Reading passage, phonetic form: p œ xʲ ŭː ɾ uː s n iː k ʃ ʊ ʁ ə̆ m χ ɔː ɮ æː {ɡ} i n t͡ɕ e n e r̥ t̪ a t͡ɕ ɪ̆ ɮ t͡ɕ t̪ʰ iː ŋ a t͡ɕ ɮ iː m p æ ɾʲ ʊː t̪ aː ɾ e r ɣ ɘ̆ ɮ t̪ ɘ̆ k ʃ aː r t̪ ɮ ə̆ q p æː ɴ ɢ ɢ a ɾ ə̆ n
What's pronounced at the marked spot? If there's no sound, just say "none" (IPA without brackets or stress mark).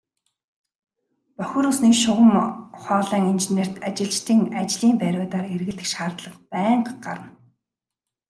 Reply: ŋ